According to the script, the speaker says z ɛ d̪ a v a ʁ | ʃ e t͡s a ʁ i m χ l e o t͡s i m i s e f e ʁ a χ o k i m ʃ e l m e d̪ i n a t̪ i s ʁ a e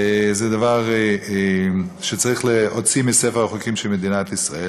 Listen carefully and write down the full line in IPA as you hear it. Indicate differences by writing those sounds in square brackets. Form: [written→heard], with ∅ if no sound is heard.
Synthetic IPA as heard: z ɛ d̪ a v a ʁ | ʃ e t͡s a ʁ i [m→∅] χ l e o t͡s i m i s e f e ʁ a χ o k i m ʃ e l m e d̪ i n a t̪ i s ʁ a e